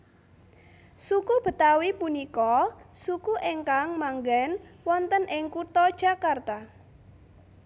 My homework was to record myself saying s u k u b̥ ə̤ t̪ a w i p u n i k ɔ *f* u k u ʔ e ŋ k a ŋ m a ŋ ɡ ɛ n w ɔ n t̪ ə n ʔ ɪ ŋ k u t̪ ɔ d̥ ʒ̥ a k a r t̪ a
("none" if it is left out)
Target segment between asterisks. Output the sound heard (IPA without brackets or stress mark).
s